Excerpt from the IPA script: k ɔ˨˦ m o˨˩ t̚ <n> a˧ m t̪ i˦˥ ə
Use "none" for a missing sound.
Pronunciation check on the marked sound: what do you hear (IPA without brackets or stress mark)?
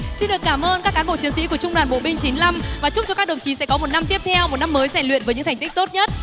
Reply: n